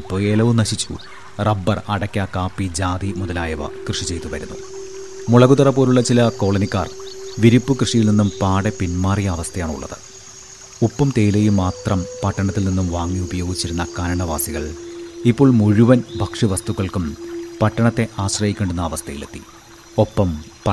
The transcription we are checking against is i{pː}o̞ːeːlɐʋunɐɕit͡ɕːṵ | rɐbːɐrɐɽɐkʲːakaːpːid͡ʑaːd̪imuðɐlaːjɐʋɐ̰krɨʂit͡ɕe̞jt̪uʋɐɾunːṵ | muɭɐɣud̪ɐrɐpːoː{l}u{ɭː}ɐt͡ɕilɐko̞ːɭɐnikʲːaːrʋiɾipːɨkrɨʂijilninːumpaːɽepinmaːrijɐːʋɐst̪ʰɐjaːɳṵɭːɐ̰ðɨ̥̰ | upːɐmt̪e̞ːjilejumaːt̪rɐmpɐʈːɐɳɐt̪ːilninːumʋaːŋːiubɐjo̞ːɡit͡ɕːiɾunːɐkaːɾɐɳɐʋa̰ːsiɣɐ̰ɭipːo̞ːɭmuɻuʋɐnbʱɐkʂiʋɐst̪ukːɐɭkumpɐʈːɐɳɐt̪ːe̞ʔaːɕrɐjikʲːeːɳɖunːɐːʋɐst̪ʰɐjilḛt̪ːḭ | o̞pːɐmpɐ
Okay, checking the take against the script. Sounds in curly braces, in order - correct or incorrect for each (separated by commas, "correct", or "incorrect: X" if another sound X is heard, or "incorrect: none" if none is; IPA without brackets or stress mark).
correct, incorrect: ɾ, correct